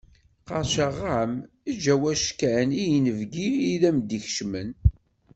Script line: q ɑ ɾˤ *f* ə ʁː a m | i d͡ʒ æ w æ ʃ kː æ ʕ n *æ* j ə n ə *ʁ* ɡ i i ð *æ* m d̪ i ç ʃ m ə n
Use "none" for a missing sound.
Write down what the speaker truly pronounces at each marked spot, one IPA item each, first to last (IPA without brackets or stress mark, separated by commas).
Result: ʃ, i, v, æ